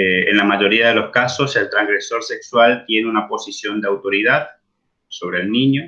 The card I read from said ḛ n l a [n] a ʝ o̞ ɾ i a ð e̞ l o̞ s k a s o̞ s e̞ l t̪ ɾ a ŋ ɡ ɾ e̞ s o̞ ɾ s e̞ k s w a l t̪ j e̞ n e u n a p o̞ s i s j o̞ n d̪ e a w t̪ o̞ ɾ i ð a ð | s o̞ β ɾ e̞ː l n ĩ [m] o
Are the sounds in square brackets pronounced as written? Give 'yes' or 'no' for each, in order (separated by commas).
no, no